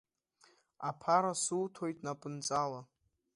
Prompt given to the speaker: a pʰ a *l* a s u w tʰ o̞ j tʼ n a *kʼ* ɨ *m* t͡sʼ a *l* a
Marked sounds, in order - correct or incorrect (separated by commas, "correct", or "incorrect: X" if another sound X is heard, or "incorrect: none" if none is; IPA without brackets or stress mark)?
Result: incorrect: ɾ, incorrect: pʼ, incorrect: n, correct